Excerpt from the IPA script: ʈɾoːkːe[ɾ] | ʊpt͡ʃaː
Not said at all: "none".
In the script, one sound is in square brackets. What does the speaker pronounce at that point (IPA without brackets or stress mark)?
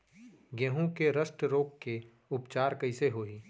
none